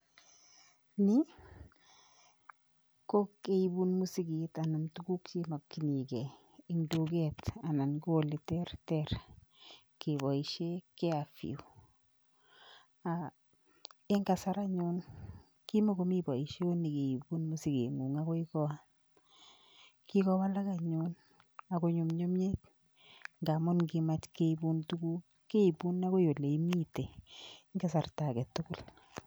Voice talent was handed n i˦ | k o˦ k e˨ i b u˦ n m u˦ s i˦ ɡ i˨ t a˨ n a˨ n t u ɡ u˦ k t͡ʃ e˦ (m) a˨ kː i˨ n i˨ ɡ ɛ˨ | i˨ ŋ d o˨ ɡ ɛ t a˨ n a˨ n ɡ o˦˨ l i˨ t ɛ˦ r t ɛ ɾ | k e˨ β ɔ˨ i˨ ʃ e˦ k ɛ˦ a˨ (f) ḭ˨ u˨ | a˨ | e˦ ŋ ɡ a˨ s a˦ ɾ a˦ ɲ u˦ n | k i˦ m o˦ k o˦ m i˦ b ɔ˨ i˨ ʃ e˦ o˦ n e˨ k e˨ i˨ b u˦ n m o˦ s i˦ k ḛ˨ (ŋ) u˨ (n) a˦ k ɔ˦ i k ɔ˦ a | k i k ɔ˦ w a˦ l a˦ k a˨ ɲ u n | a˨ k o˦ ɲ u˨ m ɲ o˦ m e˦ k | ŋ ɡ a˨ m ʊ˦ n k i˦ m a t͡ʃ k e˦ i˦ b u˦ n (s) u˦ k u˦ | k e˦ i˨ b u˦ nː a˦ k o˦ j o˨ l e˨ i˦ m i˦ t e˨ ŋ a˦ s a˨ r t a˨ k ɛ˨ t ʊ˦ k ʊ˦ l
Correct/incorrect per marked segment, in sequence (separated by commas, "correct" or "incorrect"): correct, correct, correct, incorrect, incorrect